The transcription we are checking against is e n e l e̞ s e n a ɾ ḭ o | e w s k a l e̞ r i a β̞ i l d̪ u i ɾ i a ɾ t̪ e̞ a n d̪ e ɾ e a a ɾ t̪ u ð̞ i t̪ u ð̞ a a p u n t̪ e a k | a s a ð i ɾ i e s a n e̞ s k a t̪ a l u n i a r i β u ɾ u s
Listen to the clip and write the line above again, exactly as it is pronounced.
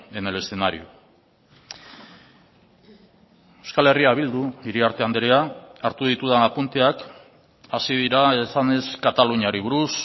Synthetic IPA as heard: e n e l e̞ s e n a ɾ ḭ o | e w s k a l e̞ r i a β̞ i l d̪ u i ɾ i a ɾ t̪ e̞ a n d̪ e ɾ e a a ɾ t̪ u ð̞ i t̪ u ð̞ a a p u n t̪ e a k | a s i ð i ɾ a e s a n e̞ s k a t̪ a l u ɲ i a ɾ i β u ɾ u s